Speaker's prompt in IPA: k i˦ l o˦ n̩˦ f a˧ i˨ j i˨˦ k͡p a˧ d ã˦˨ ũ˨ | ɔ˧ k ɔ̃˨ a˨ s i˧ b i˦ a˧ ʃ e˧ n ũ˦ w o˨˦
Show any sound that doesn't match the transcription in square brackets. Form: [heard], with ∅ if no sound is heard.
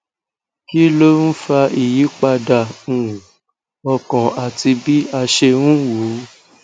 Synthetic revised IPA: k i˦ l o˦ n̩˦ f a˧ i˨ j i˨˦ k͡p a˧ d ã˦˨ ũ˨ | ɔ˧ k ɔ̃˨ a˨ [t] i˧ b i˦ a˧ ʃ e˧ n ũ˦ w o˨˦